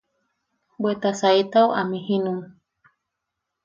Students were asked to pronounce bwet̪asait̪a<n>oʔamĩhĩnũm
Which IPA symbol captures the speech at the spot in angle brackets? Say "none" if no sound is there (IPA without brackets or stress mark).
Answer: none